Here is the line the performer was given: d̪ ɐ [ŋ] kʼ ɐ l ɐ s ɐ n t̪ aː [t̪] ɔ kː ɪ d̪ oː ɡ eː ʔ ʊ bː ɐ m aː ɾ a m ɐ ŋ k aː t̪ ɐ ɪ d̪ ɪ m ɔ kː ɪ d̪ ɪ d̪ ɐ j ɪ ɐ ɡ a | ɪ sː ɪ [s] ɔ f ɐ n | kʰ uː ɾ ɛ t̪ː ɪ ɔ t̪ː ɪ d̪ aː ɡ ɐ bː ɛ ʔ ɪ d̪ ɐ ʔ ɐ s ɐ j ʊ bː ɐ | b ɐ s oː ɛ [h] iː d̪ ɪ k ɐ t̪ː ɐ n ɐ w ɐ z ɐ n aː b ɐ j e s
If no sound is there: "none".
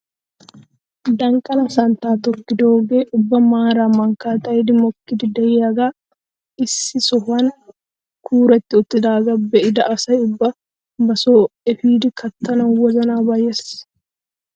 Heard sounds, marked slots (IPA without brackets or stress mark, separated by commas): ŋ, t̪, s, f